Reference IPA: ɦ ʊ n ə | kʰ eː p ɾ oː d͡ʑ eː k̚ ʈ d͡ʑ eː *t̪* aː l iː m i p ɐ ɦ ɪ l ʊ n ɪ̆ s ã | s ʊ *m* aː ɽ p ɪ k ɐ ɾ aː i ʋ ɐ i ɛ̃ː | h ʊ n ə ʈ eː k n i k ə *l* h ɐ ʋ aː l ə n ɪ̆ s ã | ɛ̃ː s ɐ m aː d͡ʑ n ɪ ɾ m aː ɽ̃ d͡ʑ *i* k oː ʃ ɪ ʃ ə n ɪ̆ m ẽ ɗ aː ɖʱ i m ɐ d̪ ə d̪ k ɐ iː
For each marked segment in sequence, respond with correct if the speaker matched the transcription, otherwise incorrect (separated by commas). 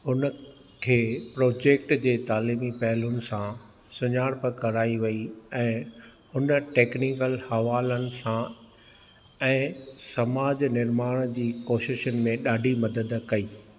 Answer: correct, incorrect, correct, incorrect